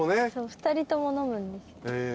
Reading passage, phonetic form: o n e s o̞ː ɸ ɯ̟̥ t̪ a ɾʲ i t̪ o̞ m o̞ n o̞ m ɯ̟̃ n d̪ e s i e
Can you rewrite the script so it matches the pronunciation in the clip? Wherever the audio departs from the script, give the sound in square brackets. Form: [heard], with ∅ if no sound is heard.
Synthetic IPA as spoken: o n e s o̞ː ɸ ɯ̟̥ t̪ a ɾʲ i t̪ o̞ m o̞ n o̞ m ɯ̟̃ n d̪ e s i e